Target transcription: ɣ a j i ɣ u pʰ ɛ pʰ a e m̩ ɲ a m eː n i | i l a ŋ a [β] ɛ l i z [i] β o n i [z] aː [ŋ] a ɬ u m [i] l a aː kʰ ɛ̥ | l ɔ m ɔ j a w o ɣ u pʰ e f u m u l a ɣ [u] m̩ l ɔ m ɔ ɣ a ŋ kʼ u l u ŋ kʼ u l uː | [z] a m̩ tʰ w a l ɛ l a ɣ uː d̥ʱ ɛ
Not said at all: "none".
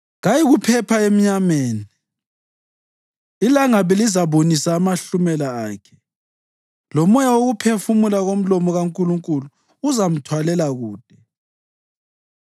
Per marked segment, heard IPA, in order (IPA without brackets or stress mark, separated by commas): β, a, s, m, ɛ, o, z